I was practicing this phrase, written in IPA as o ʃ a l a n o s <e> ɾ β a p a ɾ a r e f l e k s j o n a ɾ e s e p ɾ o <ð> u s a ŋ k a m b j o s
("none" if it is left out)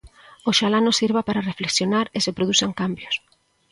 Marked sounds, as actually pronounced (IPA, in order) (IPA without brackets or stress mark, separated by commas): i, ð